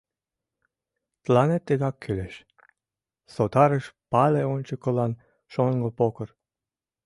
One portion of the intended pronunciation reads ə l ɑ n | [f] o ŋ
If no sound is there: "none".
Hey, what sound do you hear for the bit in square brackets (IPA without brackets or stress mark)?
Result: ʃ